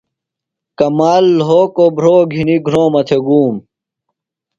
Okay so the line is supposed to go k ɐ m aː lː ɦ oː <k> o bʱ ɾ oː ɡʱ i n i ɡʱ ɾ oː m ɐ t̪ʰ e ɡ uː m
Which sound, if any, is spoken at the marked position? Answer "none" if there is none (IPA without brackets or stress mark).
k